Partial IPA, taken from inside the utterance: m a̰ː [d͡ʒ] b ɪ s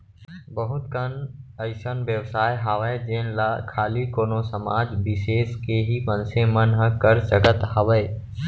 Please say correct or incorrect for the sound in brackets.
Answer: correct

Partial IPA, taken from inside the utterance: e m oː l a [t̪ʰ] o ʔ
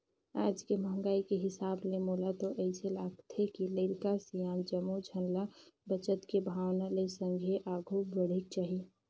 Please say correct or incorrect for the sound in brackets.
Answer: incorrect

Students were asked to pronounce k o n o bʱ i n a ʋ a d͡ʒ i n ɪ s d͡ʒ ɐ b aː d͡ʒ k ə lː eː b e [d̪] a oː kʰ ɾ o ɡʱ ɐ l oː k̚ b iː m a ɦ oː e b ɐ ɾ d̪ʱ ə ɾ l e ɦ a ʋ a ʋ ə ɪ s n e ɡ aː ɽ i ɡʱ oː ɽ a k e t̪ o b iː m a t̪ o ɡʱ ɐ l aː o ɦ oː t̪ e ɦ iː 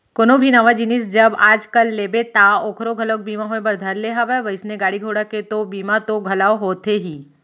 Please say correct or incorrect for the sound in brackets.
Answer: incorrect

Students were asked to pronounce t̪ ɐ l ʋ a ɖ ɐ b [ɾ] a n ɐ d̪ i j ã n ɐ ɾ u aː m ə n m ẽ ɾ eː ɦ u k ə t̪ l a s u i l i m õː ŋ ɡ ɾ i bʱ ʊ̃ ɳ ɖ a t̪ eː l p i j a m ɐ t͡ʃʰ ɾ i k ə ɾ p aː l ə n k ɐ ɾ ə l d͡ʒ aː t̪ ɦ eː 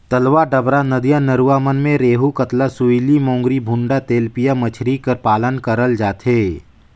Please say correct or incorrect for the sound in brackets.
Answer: correct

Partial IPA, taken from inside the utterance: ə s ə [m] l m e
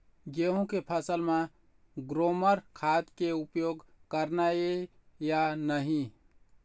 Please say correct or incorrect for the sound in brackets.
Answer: incorrect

